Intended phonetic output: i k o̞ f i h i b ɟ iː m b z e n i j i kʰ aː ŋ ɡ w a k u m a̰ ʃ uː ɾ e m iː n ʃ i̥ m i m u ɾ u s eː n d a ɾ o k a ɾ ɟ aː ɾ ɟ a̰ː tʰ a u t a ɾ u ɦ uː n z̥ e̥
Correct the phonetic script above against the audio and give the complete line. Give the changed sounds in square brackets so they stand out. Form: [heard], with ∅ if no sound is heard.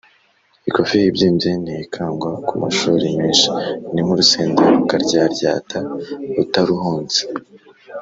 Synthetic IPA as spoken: i k o̞ f i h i b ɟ iː m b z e n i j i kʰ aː ŋ ɡ w a k u m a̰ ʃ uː ɾ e m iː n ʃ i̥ [n] i m u ɾ u s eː n d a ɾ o k a ɾ ɟ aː ɾ ɟ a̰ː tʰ a u t a ɾ u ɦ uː n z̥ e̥